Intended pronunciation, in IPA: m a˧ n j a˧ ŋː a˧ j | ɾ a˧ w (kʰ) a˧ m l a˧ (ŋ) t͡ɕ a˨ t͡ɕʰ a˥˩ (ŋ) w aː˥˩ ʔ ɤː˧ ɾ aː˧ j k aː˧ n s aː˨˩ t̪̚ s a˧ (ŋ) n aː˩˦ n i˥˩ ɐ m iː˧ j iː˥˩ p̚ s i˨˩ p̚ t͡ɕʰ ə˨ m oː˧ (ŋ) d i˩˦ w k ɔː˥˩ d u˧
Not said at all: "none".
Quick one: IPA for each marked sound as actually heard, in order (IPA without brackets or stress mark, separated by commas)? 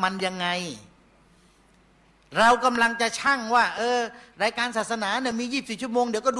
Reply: k, ŋ, ŋ, none, ŋ